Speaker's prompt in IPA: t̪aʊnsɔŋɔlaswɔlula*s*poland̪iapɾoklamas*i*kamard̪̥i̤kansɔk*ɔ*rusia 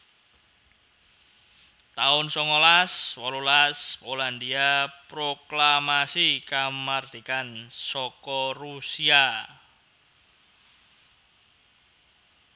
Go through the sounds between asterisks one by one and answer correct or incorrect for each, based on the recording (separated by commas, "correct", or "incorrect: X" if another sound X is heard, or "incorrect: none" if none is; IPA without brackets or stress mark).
correct, correct, correct